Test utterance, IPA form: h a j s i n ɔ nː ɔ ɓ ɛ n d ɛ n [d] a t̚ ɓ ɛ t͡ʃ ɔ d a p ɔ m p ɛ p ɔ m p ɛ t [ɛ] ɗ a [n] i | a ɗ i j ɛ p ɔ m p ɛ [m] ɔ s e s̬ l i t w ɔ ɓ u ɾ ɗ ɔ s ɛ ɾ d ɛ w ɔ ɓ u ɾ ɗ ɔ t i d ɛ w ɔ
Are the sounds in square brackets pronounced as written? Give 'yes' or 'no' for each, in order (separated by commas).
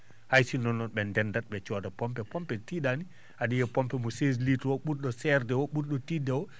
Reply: yes, no, yes, yes